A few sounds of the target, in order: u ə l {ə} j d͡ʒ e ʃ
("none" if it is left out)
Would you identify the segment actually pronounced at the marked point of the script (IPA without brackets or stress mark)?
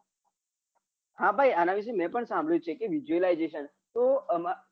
a